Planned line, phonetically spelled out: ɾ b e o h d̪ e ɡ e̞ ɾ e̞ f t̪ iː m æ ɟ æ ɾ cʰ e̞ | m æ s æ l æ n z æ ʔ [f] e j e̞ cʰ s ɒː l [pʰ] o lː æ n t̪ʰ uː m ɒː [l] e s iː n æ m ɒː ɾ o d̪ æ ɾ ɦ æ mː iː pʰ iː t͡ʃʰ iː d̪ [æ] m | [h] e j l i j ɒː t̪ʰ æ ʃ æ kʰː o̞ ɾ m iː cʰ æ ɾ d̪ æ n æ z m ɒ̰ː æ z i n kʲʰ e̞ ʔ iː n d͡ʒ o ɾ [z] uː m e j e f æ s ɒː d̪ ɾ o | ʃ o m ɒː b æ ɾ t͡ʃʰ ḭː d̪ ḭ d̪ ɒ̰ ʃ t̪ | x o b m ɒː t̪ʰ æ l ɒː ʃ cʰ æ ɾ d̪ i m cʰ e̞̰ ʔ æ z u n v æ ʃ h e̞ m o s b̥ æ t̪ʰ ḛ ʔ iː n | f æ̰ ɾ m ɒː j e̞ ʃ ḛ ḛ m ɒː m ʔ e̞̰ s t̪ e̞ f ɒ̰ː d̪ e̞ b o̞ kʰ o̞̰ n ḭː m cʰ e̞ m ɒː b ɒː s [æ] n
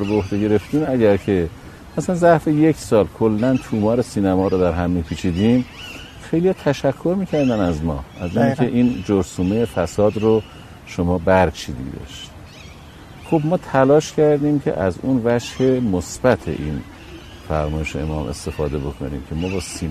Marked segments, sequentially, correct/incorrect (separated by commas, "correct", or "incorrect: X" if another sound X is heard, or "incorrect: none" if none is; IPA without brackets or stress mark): correct, incorrect: kʰ, incorrect: ɾ, incorrect: i, incorrect: x, incorrect: s, incorrect: i